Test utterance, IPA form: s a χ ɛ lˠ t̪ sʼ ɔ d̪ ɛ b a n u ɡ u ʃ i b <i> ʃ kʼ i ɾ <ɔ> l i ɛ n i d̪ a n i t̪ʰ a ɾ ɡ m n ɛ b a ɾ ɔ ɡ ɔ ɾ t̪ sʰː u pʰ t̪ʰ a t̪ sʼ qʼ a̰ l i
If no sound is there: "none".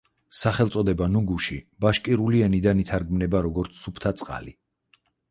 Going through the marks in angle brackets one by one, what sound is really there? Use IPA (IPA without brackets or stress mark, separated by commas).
a, u